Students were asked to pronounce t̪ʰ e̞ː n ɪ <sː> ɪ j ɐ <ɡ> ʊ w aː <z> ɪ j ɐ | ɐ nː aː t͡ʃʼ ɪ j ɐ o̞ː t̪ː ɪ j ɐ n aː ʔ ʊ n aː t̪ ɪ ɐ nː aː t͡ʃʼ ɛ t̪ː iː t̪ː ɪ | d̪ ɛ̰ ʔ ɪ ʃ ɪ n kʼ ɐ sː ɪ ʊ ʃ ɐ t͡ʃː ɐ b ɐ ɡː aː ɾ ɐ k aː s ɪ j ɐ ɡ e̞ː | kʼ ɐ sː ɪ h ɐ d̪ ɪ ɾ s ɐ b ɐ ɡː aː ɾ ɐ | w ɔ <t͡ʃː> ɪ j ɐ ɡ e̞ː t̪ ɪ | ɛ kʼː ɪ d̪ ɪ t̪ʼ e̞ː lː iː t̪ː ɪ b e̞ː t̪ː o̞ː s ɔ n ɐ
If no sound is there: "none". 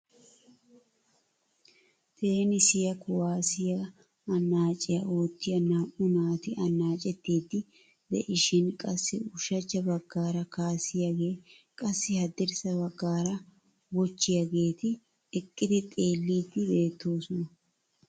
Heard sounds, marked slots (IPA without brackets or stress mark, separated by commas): s, k, s, t͡ʃː